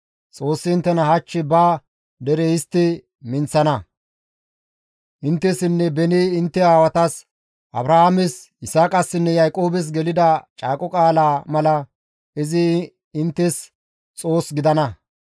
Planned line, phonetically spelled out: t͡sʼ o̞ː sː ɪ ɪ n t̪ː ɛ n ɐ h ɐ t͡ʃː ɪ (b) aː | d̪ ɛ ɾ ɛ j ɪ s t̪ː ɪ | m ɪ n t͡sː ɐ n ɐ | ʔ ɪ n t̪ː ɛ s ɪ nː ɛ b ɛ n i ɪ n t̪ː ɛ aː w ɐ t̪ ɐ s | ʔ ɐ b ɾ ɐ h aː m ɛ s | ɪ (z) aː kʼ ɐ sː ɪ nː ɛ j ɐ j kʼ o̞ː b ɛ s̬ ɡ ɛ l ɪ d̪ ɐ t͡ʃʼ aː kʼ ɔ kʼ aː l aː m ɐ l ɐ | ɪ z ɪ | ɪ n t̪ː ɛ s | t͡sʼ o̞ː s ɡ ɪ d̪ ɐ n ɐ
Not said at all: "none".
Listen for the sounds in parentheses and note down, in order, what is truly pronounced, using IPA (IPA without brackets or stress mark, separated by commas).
b, s